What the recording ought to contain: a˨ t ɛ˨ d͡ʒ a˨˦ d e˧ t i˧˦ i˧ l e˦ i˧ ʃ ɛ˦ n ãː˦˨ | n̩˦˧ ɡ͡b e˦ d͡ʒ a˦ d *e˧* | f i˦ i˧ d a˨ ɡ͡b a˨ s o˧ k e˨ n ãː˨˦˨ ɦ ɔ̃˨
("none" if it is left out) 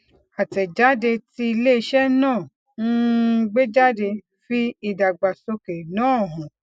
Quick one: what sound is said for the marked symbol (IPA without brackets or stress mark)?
e˧